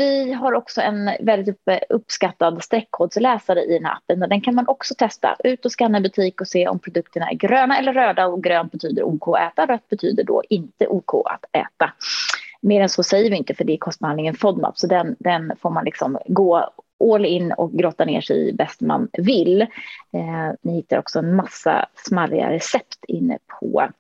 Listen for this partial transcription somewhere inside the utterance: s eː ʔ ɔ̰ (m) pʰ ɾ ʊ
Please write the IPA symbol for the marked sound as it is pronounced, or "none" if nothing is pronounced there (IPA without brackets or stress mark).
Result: m